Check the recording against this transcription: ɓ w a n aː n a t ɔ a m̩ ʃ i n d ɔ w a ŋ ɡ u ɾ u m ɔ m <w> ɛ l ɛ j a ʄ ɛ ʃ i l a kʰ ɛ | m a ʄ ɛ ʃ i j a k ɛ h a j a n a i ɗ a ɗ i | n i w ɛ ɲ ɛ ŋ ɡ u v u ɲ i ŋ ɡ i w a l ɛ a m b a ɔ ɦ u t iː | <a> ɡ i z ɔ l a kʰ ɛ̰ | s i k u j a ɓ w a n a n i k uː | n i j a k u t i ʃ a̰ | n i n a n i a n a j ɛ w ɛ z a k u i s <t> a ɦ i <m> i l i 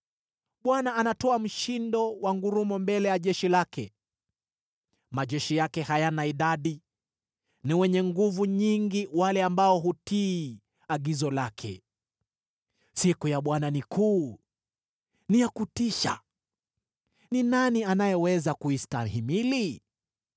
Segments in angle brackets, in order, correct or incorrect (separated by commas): incorrect, correct, correct, correct